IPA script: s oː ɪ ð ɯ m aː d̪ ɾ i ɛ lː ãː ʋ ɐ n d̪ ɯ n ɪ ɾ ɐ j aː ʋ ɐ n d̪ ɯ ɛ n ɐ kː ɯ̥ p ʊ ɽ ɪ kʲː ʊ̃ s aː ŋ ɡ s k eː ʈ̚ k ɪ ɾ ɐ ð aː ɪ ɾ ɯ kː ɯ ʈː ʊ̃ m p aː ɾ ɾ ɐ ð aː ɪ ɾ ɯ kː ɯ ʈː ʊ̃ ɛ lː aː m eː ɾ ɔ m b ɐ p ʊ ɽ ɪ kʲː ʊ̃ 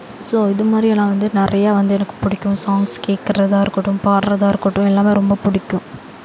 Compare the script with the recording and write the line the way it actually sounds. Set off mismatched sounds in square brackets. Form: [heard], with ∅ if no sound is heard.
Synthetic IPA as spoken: s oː ɪ ð ɯ m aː d̪ ɾ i ɛ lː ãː ʋ ɐ n d̪ ɯ n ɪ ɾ ɐ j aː ʋ ɐ n d̪ ɯ ɛ n ɐ kː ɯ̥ p ʊ ɽ ɪ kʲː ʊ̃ s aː ŋ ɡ s k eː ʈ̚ k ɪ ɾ ɐ ð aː ɪ ɾ ɯ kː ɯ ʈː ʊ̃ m p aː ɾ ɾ ɐ ð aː ɪ ɾ ɯ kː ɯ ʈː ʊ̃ ɛ lː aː m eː ɾ ɔ m b ɐ p ʊ ɽ ɪ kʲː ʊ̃